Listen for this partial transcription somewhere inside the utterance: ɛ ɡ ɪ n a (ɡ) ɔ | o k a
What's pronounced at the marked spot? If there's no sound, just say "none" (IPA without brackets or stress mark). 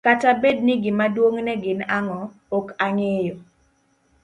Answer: ŋ